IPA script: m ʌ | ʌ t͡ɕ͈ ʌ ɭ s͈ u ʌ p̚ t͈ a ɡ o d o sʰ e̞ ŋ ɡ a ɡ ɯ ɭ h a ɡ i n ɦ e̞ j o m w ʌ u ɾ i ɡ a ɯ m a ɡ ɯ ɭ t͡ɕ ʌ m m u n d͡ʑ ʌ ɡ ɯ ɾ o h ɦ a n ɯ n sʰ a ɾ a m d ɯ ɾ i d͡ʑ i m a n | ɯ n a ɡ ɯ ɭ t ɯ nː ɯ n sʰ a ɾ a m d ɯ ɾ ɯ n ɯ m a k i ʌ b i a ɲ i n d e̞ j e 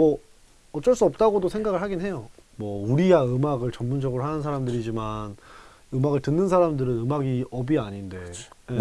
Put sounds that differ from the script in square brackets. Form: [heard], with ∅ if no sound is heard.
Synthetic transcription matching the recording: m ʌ | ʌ t͡ɕ͈ ʌ ɭ s͈ u ʌ p̚ t͈ a ɡ o d o sʰ e̞ ŋ ɡ a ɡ ɯ ɭ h a ɡ i n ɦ e̞ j o m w ʌ u ɾ i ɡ a ɯ m a ɡ ɯ ɭ t͡ɕ ʌ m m u n d͡ʑ ʌ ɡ ɯ ɾ o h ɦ a n ɯ n sʰ a ɾ a m d ɯ ɾ i d͡ʑ i m a n | ɯ [m] a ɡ ɯ ɭ t ɯ nː ɯ n sʰ a ɾ a m d ɯ ɾ ɯ n ɯ m a [ɡ] i ʌ b i a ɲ i n d e̞ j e